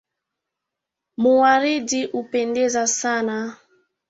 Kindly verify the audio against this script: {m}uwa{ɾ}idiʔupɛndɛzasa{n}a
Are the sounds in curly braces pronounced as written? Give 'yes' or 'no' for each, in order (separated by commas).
yes, yes, yes